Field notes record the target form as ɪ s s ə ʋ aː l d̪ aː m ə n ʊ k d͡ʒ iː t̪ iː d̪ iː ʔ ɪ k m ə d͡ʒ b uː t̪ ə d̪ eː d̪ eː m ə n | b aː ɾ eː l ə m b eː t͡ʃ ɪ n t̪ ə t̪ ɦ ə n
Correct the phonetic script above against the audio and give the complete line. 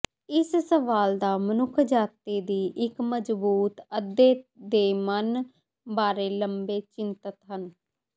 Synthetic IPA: ɪ s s ə ʋ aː l d̪ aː m ə n ʊ kʰ d͡ʒ aː t̪ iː d̪ iː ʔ ɪ k m ə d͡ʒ b uː t̪ ə d̪ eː d̪ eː m ə n | b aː ɾ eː l ə m b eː t͡ʃ ɪ n t̪ ə t̪ ɦ ə n